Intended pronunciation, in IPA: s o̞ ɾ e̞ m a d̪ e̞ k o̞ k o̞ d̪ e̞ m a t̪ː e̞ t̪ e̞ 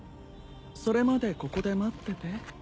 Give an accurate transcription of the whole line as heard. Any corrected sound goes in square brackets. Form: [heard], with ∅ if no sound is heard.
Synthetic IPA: s o̞ ɾ e̞ m a d̪ e̞ k o̞ k o̞ d̪ e̞ m a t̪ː e̞ t̪ e̞